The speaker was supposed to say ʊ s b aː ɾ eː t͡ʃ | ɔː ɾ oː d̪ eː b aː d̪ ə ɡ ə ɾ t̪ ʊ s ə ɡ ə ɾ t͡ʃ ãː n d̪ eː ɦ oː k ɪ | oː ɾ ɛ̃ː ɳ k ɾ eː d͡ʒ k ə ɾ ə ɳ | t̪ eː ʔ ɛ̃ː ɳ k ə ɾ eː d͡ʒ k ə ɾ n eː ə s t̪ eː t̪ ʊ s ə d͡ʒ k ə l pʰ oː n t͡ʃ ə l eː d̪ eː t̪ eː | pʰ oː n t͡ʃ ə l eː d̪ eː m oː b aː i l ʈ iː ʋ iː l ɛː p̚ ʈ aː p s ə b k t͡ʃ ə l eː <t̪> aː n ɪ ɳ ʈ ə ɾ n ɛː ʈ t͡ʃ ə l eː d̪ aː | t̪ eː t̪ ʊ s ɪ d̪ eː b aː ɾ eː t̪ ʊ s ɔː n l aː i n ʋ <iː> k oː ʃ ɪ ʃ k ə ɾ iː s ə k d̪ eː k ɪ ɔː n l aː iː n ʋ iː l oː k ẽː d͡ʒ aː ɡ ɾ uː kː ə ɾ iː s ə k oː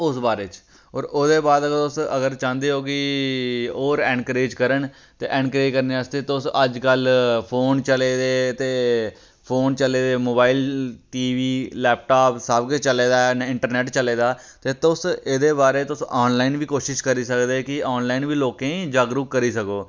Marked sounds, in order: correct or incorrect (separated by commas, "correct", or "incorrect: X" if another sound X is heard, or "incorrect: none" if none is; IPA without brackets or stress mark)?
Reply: incorrect: d̪, correct